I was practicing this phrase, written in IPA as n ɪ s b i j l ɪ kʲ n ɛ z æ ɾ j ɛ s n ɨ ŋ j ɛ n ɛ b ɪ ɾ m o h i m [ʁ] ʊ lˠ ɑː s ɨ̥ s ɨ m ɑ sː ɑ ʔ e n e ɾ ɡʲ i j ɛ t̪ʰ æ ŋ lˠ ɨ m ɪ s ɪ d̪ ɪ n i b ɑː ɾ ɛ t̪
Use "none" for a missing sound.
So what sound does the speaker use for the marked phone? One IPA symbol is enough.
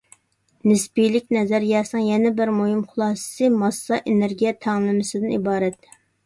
χ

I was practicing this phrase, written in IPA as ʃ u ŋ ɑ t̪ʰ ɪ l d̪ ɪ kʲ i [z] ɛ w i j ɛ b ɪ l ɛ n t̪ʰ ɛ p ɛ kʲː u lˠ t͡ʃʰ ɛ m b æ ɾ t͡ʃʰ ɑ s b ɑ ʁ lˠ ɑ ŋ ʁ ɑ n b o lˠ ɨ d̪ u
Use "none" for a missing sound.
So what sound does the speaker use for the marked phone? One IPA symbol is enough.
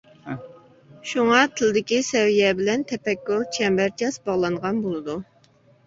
s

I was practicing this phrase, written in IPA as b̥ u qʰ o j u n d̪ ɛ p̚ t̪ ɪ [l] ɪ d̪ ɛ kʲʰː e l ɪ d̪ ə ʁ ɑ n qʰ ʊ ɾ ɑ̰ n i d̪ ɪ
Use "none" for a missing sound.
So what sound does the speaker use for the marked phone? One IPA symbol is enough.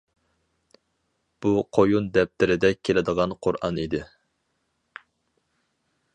ɾ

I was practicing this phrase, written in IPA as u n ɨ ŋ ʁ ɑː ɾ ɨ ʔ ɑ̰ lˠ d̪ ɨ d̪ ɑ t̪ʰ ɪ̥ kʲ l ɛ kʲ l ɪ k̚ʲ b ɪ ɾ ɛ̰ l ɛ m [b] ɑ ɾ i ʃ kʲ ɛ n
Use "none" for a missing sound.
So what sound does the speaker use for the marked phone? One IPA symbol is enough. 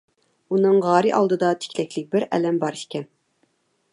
b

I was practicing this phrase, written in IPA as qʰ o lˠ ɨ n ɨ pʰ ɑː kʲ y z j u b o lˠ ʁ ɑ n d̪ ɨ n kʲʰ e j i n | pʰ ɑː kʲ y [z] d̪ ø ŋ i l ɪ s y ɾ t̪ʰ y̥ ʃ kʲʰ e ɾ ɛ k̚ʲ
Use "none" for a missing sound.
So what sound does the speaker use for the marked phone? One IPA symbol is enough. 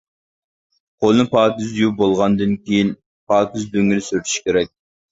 z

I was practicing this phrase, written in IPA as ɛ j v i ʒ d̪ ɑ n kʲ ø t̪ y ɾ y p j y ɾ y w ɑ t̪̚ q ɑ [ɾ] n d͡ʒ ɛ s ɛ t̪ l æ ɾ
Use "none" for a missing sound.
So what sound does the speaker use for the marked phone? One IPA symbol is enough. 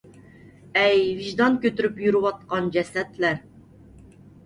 none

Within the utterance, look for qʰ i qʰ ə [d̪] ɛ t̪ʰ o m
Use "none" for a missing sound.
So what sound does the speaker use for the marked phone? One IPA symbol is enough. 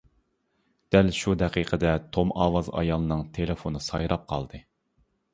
d̪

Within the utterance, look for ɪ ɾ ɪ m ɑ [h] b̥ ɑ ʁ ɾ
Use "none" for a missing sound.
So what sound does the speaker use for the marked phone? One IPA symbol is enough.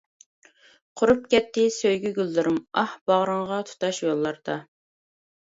h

